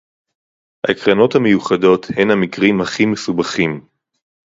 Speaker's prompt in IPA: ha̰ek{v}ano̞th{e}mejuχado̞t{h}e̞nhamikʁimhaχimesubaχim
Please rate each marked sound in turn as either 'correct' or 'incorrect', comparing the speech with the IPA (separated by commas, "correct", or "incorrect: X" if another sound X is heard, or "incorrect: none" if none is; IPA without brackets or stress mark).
incorrect: ʁ, incorrect: a, correct